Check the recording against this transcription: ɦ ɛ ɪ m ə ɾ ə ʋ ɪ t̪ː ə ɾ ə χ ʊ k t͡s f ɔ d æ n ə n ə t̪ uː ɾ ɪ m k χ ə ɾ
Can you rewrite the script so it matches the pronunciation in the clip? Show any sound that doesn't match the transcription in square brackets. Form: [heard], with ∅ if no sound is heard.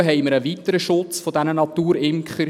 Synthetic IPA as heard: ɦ ɛ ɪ m ə ɾ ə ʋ [i] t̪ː ə ɾ ə [ʃ] ʊ [∅] t͡s f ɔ d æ n ə n [ɑ] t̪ uː ɾ ɪ m k χ ə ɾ